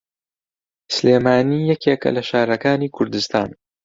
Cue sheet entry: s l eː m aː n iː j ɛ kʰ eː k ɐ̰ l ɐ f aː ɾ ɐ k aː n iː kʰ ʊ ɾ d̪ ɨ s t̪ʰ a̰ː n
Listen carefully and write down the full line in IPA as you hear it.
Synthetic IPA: s l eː m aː n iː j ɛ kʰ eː k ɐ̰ l ɐ ʃ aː ɾ ɐ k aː n iː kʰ ʊ ɾ d̪ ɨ s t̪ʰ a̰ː n